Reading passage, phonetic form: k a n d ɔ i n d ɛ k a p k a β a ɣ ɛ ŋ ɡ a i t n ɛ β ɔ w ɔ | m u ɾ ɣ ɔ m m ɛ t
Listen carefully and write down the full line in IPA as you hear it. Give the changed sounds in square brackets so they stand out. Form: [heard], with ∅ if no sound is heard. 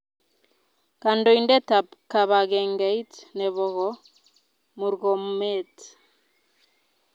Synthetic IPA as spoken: k a n d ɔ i n d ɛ [t] a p k a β a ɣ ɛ ŋ ɡ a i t n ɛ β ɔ [ɣ] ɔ | m u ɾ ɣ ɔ m m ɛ t